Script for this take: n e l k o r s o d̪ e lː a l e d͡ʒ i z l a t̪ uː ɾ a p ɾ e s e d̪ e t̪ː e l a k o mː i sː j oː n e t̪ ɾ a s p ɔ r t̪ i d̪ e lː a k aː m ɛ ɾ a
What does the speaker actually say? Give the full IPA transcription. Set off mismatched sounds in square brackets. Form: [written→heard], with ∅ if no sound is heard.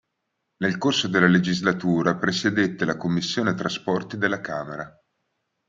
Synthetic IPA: n e l k o r s o d̪ e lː a l e d͡ʒ i z l a t̪ uː ɾ a p ɾ e s e d̪ e t̪ː e l a k o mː i sː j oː n e t̪ ɾ a s p ɔ r t̪ i d̪ e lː a k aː m [ɛ→e] ɾ a